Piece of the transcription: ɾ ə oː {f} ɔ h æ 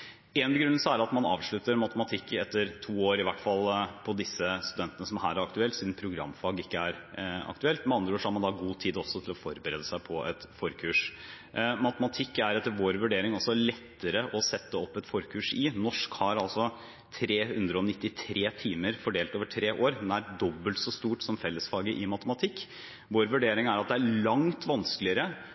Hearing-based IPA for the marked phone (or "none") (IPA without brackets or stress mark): ʂ